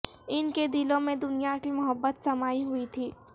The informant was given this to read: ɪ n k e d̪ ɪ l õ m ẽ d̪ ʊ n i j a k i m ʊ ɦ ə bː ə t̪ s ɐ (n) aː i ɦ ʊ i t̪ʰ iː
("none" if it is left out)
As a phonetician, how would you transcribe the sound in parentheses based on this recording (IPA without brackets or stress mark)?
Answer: m